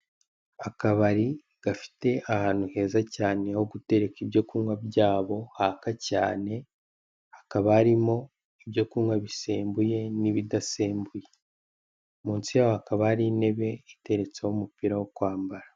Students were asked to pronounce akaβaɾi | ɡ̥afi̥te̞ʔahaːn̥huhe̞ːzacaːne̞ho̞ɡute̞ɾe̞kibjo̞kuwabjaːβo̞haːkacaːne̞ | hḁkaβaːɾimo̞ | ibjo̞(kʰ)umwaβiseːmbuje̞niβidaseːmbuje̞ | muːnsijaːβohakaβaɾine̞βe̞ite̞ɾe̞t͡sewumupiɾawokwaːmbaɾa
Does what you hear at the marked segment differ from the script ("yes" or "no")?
yes